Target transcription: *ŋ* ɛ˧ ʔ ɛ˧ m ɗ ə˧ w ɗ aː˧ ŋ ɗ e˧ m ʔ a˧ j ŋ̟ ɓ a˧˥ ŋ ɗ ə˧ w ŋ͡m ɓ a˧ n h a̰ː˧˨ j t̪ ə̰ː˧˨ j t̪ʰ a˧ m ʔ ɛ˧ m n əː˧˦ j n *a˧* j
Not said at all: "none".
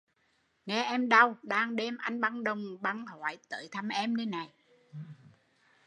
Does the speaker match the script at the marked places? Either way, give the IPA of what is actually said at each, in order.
ŋ, a˨˩

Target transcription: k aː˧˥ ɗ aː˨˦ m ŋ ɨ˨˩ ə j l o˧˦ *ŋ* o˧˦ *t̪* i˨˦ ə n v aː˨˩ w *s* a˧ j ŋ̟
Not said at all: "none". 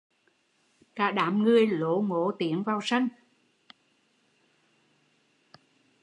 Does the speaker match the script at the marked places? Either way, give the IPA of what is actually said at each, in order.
ŋ, t̪, s

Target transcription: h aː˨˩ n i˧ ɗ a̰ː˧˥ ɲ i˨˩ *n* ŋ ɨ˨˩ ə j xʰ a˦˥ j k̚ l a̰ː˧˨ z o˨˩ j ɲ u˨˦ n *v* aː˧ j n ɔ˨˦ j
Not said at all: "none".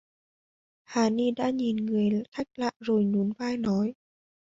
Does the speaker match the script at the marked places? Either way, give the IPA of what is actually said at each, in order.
n, v

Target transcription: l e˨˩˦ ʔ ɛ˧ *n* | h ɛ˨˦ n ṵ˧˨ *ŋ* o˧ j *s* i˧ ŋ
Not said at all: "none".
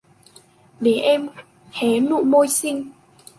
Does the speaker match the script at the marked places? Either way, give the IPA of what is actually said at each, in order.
m, m, s

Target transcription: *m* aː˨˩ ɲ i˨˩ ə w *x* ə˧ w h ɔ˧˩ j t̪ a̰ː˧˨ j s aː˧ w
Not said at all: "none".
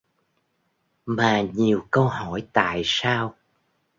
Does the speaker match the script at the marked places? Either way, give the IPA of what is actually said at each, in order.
m, k

